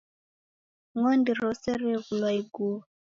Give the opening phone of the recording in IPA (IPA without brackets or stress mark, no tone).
ŋ